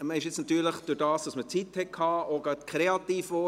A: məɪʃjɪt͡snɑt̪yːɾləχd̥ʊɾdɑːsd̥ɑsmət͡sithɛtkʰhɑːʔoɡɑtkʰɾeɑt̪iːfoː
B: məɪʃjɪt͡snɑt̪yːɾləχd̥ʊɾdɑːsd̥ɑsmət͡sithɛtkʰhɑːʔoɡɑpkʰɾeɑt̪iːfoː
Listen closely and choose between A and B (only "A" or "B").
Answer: A